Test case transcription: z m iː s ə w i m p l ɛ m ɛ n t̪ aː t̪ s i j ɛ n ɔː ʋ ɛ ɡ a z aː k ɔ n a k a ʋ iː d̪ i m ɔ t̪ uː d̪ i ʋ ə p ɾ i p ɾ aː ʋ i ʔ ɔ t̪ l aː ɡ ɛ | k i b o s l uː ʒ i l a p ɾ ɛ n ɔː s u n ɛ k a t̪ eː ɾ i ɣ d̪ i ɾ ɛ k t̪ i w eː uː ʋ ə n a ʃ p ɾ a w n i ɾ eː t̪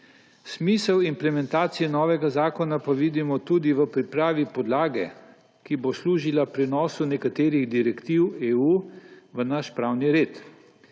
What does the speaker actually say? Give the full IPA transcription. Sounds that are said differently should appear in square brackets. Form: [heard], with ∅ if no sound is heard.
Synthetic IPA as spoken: [s] m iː s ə w i m p l ɛ m ɛ n t̪ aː t̪ s i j ɛ n ɔː ʋ ɛ ɡ a z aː k ɔ n a [p] a ʋ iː d̪ i m ɔ t̪ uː d̪ i ʋ ə p ɾ i p ɾ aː ʋ i [p] ɔ [d̪] l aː ɡ ɛ | k i b o s l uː ʒ i l a p ɾ ɛ n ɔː s u n ɛ k a t̪ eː ɾ i ɣ d̪ i ɾ ɛ k t̪ i w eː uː ʋ ə n a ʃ p ɾ a w n i ɾ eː t̪